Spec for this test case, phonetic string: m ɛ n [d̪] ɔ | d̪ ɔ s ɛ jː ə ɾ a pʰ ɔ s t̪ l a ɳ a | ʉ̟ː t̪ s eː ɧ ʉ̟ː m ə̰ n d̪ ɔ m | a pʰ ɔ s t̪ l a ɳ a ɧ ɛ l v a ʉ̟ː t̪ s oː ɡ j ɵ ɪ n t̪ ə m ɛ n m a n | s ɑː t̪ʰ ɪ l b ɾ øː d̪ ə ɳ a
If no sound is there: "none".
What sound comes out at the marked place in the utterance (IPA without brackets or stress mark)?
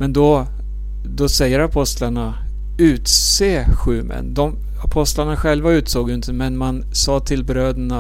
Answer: d̪